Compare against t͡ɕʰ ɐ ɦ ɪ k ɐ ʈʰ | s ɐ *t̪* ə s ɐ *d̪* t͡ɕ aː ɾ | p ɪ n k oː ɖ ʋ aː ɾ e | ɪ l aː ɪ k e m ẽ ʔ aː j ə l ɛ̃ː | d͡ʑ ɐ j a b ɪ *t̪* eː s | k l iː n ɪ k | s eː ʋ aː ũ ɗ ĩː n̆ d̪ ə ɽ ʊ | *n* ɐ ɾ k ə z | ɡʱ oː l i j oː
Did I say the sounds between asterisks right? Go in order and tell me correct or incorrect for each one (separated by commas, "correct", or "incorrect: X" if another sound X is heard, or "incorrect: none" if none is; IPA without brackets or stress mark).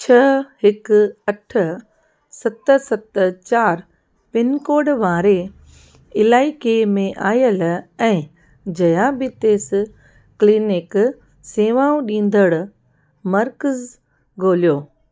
correct, incorrect: t̪, correct, incorrect: m